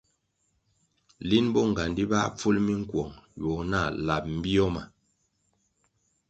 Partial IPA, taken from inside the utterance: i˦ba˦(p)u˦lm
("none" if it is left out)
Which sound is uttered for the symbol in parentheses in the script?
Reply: p͡f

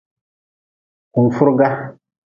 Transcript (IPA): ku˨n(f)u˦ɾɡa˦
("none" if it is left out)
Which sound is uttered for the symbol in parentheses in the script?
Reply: f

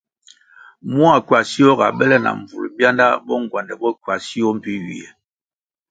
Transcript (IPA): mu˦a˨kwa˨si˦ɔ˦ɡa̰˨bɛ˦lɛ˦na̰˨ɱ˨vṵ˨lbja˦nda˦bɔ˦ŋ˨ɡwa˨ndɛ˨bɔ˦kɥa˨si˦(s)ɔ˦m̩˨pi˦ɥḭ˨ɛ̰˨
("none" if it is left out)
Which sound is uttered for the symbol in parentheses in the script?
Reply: none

